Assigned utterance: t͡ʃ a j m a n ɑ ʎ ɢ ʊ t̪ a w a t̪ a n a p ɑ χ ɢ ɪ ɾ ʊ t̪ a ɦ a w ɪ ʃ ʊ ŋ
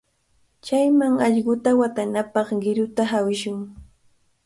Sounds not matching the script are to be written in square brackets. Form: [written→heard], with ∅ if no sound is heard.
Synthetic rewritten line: t͡ʃ a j m a [n→ŋ] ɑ ʎ ɢ ʊ t̪ a w a t̪ a n a p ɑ χ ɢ ɪ ɾ ʊ t̪ a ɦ a w ɪ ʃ ʊ ŋ